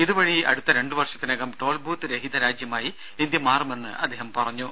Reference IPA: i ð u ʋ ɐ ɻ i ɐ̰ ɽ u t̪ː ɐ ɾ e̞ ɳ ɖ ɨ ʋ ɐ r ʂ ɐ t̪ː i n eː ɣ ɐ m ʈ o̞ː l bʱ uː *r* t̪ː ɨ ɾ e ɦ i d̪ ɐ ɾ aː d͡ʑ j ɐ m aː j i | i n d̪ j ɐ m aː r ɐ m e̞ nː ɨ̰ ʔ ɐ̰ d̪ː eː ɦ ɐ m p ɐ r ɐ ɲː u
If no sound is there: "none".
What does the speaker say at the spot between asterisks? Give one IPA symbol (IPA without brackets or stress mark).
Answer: none